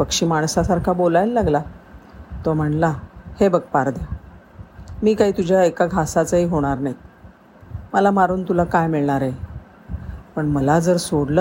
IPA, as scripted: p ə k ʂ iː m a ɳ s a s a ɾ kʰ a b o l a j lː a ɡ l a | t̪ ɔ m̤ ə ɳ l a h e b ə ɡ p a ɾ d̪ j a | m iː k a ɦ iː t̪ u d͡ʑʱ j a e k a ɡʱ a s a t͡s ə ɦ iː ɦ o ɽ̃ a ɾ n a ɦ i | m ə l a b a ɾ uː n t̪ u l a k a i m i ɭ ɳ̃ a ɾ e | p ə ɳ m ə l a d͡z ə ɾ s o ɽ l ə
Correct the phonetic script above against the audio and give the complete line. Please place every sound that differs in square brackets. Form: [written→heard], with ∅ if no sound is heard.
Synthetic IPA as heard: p ə k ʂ iː m a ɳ s a s a ɾ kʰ a b o l a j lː a ɡ l a | t̪ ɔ m̤ ə ɳ l a h e b ə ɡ p a ɾ d̪ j a | m iː k a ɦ iː t̪ u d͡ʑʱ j a e k a ɡʱ a s a t͡s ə ɦ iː ɦ o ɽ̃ a ɾ n a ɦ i | m ə l a [b→m] a ɾ uː n t̪ u l a k a [i→j] m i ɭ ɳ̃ a ɾ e | p ə ɳ m ə l a d͡z ə ɾ s o ɽ l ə